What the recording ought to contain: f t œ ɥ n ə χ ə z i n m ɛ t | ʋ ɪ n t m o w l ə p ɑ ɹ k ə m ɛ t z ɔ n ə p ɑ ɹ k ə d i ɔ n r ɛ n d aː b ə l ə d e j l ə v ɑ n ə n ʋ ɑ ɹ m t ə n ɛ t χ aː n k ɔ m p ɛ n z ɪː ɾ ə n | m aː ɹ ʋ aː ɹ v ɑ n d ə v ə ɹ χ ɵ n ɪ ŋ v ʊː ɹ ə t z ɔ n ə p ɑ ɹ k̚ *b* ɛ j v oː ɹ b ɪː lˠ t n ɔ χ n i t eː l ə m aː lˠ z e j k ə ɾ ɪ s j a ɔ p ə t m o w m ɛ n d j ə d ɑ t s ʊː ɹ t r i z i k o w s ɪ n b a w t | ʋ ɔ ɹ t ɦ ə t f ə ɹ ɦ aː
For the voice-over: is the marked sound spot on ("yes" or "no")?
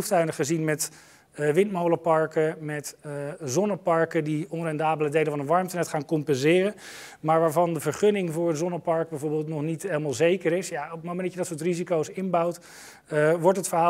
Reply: yes